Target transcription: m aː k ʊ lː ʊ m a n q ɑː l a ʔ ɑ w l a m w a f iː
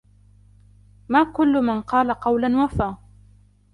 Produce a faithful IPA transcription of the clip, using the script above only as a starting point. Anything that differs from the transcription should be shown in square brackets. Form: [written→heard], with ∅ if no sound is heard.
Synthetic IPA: m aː k ʊ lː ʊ m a n q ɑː l a [ʔ→q] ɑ w l a [m→n] w a f [iː→aː]